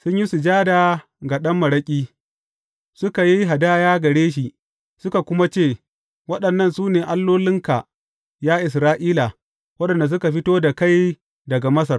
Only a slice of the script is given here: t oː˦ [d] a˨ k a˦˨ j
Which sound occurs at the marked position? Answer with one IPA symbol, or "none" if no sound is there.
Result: d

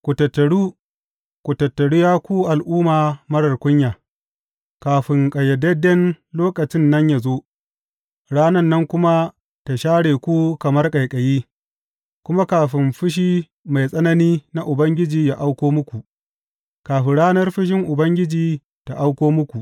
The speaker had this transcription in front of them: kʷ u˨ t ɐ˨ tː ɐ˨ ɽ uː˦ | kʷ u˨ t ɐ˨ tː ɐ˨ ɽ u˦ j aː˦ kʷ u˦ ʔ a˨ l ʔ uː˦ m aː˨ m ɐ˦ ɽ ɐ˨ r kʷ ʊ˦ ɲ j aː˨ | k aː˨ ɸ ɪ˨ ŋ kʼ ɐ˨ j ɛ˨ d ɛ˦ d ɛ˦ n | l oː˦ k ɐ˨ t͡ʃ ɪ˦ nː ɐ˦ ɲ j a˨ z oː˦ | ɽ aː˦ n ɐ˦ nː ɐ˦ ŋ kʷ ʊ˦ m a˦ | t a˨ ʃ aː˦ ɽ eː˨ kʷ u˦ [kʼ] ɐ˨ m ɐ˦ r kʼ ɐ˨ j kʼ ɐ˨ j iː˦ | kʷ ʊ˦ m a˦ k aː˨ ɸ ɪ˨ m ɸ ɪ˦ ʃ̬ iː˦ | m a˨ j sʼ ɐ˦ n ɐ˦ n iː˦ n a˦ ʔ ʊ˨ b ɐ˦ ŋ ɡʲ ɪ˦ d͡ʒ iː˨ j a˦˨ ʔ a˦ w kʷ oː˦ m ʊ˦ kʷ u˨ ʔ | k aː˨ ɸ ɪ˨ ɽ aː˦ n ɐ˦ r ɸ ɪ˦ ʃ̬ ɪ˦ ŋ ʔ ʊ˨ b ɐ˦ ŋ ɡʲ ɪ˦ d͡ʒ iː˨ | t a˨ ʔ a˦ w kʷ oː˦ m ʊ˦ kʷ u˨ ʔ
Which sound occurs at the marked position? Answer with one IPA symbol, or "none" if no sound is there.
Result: k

